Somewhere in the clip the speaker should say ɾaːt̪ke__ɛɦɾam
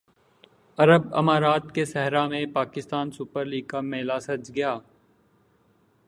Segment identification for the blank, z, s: s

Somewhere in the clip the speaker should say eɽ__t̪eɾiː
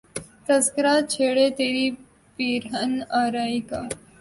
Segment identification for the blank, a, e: e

